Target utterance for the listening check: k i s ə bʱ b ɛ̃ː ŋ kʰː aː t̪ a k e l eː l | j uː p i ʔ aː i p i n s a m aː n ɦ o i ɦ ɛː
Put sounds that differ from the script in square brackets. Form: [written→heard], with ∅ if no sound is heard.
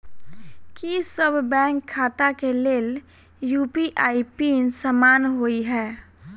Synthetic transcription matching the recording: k i s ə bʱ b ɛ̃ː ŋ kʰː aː t̪ a k e l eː l | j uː p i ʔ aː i p i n s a m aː n ɦ o i ɦ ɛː